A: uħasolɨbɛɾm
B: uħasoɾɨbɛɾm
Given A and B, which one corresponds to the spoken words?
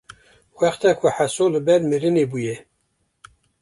A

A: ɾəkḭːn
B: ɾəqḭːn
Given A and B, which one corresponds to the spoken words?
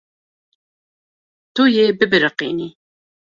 B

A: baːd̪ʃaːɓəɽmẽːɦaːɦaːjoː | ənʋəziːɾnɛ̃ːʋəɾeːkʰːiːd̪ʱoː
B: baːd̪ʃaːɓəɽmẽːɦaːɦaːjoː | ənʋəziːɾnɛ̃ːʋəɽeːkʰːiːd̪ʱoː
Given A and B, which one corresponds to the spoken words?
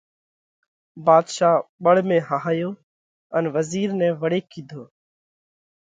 B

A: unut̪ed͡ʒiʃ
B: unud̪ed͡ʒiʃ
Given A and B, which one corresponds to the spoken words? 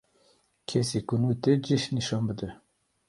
A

